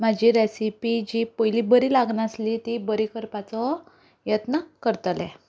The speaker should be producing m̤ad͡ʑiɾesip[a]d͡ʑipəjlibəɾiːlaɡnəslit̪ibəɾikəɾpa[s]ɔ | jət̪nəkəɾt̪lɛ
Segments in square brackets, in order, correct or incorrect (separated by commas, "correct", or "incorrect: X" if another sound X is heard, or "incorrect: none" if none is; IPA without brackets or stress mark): incorrect: i, incorrect: t͡s